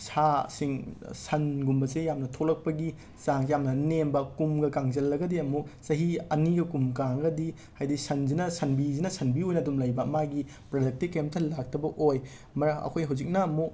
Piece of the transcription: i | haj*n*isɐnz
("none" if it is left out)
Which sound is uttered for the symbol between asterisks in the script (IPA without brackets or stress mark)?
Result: d